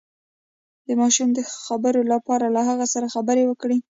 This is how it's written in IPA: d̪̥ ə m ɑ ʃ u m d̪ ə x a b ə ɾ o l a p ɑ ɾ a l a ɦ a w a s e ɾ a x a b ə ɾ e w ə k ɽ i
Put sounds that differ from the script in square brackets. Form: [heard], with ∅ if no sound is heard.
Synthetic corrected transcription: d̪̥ ə m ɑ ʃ u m d̪ ə x a b ə ɾ o l a p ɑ ɾ a l a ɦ a [ɣ] a s [a] ɾ a x a b ə ɾ e w ə k ɽ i